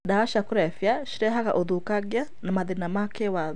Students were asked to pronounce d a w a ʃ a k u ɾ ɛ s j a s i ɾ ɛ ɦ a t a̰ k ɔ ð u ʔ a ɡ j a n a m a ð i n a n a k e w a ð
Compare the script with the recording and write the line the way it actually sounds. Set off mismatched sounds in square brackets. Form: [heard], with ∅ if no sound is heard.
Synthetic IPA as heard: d a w a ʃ a k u ɾ ɛ [f] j a [ʃ] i ɾ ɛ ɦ a [k] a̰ [ʔ] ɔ ð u [k] a ɡ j a n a m a ð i n a [m] a k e w a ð